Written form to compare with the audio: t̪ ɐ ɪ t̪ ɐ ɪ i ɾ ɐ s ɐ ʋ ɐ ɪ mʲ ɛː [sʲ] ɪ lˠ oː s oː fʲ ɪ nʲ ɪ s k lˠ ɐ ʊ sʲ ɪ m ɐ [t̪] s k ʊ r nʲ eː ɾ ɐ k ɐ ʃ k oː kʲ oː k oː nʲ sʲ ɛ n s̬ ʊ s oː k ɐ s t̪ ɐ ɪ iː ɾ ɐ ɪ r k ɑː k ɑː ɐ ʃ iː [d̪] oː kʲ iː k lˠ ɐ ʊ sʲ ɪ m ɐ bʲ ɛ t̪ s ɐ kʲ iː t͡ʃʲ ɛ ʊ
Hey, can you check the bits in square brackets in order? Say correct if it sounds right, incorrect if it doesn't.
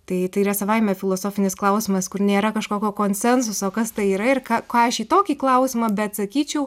incorrect, incorrect, incorrect

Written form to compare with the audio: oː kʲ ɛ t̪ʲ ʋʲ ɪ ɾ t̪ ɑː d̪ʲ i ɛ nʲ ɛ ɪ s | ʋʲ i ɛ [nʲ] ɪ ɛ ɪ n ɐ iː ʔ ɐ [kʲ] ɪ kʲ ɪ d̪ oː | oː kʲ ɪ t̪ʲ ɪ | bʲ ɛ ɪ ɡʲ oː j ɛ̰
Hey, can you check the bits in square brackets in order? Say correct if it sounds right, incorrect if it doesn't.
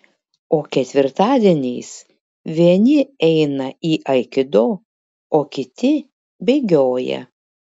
correct, incorrect

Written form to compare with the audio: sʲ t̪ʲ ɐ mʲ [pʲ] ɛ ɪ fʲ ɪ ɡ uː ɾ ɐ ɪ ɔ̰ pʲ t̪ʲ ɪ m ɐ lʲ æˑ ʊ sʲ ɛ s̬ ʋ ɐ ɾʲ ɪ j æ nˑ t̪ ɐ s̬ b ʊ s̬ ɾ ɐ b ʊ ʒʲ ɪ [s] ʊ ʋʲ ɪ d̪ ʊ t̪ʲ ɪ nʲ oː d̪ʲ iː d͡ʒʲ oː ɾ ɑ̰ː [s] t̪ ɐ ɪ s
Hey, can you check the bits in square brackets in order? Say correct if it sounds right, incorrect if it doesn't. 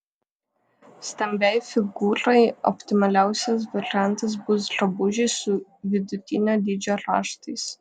incorrect, correct, incorrect

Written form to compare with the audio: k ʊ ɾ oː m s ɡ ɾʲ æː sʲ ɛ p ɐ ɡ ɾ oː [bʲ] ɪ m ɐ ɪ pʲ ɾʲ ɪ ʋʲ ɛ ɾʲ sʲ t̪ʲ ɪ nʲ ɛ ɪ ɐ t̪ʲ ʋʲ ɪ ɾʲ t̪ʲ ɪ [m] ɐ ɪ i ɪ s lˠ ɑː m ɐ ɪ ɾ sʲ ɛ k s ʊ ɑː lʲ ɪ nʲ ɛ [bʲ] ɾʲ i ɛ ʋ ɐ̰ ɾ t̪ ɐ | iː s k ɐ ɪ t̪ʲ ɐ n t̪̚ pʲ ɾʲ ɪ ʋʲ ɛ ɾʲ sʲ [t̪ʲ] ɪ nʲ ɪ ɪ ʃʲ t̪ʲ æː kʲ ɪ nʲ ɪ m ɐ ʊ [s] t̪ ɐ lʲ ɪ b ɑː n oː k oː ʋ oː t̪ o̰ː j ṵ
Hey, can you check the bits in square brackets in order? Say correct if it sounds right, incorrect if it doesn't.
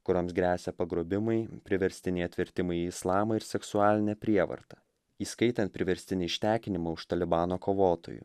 correct, correct, incorrect, correct, incorrect

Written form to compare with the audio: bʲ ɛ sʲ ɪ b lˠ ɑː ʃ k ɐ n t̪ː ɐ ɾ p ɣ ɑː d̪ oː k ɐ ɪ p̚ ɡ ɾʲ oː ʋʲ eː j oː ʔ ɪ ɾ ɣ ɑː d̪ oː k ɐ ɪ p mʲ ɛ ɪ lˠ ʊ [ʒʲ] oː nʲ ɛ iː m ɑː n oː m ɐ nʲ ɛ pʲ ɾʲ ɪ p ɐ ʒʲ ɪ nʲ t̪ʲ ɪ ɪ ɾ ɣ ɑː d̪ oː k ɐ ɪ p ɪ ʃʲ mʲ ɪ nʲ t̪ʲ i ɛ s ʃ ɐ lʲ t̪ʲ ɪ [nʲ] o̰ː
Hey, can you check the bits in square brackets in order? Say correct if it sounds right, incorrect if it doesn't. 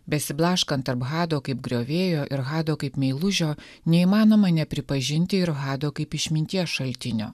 correct, correct

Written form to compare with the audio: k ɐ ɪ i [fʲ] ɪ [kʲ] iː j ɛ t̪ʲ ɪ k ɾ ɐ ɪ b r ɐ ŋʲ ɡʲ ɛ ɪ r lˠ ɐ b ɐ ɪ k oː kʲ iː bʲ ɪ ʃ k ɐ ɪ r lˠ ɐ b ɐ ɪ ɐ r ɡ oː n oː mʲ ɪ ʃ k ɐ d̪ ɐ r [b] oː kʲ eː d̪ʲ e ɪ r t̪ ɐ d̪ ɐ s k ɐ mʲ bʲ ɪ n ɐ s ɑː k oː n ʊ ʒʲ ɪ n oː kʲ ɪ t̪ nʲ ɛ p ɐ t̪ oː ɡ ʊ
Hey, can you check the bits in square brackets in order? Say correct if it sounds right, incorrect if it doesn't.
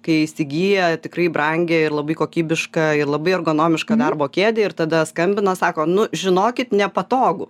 incorrect, incorrect, correct

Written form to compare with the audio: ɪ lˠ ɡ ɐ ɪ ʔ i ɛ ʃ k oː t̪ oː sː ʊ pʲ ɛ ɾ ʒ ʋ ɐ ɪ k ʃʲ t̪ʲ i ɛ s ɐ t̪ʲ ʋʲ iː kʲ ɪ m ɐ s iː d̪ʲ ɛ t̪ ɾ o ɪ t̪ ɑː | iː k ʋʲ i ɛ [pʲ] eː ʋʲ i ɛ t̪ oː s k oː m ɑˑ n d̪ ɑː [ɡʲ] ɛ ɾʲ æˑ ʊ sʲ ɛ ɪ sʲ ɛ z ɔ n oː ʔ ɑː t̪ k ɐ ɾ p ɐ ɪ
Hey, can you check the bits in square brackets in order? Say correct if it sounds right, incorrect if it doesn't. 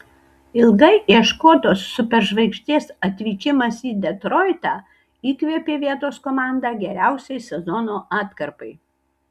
correct, correct

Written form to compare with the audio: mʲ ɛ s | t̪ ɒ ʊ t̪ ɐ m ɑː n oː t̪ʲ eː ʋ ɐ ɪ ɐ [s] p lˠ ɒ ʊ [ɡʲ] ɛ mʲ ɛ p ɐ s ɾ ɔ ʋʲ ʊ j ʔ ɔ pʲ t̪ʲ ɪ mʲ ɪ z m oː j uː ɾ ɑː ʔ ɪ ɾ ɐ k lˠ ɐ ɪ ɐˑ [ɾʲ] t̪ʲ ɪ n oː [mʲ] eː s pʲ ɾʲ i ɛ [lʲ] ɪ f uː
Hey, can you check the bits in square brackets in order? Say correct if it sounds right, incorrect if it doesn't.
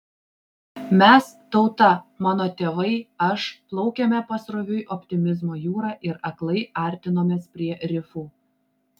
incorrect, incorrect, correct, correct, incorrect

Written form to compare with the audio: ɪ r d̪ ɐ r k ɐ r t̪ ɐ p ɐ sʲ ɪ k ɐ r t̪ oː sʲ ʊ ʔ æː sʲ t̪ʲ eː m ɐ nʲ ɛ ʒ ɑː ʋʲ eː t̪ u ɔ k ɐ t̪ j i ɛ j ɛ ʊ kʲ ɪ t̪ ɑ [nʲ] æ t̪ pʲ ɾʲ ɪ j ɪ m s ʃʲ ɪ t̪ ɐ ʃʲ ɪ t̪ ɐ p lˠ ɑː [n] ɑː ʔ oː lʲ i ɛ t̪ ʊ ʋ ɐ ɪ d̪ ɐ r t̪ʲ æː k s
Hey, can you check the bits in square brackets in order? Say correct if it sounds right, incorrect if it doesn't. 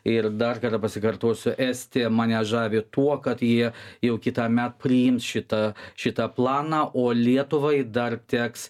incorrect, correct

